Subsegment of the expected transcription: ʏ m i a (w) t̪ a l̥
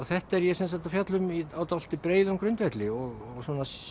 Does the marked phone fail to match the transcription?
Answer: no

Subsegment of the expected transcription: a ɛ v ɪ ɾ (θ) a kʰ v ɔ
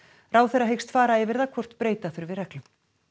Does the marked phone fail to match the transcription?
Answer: yes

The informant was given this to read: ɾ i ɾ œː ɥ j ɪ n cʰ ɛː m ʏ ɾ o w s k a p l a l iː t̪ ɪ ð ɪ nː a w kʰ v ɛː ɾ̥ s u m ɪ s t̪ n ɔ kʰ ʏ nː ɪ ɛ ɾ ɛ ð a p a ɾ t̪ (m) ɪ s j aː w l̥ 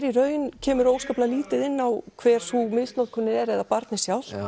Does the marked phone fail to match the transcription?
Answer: yes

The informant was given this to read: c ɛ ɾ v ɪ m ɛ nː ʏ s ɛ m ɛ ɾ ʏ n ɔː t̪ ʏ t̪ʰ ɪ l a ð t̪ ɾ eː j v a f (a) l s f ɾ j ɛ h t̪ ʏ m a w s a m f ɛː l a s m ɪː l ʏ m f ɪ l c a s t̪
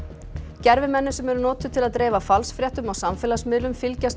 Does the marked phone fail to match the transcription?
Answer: no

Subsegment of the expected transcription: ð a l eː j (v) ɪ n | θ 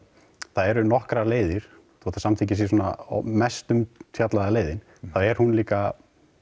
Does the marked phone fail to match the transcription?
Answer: yes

